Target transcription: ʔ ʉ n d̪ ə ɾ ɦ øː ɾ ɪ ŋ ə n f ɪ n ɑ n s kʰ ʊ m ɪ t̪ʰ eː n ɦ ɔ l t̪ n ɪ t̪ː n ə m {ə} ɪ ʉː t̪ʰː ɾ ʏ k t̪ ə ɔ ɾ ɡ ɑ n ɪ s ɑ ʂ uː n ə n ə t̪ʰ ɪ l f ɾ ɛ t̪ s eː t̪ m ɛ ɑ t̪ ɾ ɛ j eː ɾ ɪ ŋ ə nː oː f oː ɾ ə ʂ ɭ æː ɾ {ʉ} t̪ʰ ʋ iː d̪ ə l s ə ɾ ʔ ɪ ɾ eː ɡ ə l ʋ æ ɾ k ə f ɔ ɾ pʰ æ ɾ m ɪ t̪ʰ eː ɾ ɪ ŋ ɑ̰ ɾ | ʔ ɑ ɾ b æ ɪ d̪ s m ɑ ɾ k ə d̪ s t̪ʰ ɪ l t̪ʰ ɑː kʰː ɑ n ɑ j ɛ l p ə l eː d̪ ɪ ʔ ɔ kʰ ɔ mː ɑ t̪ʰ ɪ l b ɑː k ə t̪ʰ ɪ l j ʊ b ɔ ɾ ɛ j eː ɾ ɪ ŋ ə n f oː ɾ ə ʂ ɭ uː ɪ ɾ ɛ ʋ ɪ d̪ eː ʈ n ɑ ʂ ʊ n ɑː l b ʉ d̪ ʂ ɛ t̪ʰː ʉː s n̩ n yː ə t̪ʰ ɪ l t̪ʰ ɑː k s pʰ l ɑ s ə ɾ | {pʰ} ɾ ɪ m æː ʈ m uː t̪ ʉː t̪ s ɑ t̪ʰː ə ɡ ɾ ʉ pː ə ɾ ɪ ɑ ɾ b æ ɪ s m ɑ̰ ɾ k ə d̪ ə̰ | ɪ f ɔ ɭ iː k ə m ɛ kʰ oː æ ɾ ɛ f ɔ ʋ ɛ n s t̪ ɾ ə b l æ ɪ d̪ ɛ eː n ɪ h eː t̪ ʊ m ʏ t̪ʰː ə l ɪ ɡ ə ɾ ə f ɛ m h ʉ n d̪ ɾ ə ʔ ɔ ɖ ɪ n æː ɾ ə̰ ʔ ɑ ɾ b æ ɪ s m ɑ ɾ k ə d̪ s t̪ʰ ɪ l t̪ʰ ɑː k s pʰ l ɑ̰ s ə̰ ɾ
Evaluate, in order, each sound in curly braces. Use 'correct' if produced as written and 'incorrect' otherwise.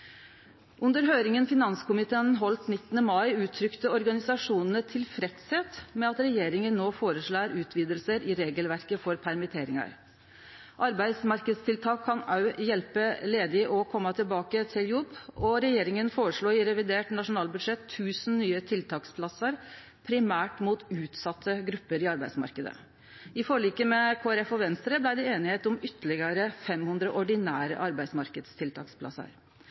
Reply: incorrect, incorrect, correct

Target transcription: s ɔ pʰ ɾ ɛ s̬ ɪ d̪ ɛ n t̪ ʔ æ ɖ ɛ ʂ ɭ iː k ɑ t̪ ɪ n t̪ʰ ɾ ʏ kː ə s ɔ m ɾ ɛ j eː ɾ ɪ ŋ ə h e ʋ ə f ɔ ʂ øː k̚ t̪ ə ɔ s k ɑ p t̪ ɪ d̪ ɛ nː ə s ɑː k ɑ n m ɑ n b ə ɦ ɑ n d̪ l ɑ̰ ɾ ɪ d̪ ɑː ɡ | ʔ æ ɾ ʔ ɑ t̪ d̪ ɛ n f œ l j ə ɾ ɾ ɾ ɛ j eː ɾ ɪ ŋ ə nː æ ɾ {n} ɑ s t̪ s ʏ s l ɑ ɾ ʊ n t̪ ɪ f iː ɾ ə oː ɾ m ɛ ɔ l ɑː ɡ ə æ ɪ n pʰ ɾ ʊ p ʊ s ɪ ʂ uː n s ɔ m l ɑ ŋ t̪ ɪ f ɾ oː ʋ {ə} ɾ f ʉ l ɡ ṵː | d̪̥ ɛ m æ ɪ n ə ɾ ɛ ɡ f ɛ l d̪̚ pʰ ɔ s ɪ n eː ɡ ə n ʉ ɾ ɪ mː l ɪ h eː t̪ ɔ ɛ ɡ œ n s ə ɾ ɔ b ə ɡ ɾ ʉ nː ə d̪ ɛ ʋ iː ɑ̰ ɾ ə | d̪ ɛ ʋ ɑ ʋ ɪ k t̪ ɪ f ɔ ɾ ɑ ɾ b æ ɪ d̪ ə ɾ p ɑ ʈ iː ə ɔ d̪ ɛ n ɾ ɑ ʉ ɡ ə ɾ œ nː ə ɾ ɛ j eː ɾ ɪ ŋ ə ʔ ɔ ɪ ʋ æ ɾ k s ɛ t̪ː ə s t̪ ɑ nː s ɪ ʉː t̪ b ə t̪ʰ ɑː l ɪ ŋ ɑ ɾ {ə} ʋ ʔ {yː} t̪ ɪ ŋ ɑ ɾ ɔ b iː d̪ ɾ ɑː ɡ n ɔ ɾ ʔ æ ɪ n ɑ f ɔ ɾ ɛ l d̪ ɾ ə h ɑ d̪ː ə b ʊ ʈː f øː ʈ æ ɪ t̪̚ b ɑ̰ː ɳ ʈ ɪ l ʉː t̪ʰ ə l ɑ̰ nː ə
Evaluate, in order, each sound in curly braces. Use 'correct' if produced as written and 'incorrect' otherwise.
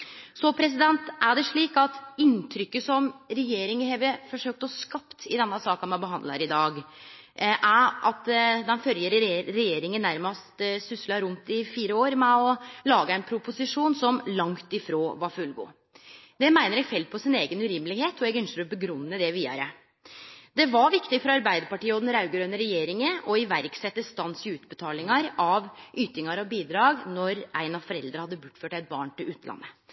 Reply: incorrect, incorrect, incorrect, correct

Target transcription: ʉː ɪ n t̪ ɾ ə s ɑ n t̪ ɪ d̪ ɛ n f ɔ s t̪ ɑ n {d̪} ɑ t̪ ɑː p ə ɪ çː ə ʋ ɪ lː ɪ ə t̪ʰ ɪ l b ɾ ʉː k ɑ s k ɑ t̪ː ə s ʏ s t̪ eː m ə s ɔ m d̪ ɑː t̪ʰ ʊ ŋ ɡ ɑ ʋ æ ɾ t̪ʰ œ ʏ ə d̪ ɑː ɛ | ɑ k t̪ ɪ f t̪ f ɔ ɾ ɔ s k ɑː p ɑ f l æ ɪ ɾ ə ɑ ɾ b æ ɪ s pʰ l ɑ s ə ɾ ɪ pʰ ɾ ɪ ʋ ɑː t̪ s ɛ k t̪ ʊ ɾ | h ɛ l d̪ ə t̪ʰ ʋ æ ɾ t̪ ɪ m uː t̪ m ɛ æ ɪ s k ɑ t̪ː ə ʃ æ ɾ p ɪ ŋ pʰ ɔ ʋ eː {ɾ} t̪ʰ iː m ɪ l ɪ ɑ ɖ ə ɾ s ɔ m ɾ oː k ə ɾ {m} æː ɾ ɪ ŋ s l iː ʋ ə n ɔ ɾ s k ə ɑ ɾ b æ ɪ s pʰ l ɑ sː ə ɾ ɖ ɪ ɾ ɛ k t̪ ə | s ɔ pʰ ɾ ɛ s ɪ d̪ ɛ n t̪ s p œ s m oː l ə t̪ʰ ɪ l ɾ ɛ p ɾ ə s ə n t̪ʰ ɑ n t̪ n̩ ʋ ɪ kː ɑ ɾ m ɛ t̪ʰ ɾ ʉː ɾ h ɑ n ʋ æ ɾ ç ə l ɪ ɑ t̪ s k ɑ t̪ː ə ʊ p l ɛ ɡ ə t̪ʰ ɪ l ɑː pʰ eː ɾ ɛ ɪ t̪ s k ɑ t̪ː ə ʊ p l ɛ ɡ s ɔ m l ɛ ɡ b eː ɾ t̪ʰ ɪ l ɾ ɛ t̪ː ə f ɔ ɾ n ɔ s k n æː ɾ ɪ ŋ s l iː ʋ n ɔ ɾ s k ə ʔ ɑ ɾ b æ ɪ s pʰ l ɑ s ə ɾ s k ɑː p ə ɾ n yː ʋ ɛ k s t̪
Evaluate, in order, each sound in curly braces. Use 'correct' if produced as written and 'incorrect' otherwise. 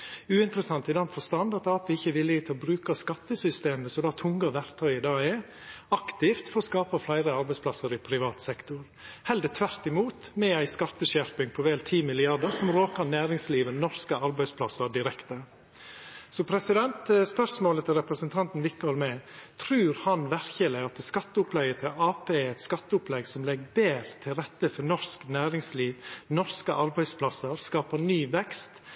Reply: correct, incorrect, incorrect

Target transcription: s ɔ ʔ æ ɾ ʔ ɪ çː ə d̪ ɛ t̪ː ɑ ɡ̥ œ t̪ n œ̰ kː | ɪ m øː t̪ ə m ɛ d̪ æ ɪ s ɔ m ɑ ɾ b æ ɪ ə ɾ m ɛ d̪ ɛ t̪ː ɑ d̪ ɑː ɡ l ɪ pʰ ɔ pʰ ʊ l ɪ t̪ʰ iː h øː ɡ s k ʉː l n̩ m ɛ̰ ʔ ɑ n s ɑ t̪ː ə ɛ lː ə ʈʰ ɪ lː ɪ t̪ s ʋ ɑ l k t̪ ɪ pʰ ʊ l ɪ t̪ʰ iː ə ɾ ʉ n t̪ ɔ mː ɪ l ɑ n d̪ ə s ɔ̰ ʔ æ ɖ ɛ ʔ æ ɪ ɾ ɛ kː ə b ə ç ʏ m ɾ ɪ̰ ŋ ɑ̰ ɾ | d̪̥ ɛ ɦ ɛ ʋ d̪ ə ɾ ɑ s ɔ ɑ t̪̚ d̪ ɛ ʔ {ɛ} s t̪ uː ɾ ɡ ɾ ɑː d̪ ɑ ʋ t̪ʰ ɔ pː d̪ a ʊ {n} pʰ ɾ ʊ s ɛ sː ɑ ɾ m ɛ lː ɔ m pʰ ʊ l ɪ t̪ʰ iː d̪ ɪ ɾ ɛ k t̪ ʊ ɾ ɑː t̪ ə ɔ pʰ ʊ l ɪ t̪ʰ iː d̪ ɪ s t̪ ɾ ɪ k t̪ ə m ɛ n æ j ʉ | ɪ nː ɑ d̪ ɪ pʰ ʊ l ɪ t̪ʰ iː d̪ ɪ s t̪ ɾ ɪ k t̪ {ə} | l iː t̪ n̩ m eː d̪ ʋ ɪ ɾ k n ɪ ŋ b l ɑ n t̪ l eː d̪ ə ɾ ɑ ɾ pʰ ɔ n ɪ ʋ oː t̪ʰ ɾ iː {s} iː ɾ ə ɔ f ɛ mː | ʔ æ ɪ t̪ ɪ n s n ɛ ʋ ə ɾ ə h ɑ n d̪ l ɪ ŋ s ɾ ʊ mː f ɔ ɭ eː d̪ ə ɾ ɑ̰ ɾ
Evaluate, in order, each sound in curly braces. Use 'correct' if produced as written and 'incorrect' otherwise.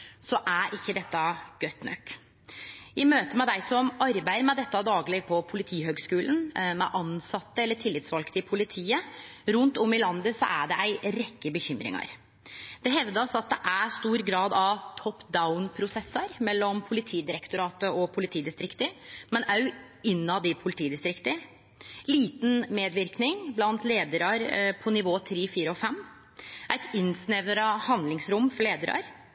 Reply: incorrect, correct, correct, incorrect

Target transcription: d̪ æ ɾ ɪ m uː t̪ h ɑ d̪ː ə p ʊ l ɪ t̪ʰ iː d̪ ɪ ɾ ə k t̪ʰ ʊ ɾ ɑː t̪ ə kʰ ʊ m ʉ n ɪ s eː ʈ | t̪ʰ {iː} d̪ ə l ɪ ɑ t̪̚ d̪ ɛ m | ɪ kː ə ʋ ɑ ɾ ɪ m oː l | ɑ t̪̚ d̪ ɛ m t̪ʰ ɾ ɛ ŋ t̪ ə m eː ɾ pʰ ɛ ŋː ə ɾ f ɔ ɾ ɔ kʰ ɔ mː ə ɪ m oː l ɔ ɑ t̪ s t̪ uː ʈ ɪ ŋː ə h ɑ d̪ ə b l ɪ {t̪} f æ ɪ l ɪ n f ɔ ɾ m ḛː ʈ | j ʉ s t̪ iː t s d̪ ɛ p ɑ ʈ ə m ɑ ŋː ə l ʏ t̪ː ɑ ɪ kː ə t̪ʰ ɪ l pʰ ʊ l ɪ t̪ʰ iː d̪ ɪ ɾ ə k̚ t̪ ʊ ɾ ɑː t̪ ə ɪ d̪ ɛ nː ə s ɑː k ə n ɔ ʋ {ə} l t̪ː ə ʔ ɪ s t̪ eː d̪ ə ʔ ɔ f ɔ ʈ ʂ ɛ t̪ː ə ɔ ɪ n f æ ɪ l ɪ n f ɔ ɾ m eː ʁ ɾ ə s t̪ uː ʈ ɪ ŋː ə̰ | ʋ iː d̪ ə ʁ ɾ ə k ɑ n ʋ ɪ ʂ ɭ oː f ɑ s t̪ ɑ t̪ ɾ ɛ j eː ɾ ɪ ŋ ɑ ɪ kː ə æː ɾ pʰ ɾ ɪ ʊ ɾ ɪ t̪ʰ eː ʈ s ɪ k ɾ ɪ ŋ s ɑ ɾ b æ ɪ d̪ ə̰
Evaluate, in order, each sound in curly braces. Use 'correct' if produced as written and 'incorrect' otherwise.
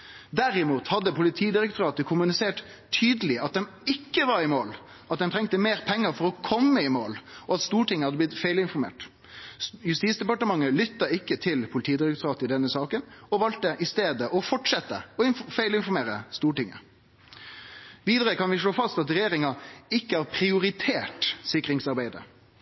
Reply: incorrect, correct, incorrect

